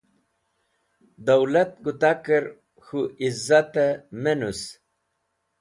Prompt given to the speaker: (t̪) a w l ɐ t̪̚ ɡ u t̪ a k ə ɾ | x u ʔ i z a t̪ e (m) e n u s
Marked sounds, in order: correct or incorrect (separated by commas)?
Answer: incorrect, correct